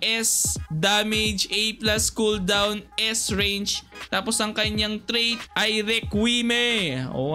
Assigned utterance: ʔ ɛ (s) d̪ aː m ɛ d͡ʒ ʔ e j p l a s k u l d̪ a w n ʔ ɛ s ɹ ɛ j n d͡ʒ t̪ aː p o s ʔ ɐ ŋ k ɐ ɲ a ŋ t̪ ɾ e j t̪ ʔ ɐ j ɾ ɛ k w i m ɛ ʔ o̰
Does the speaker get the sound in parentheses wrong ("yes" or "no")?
no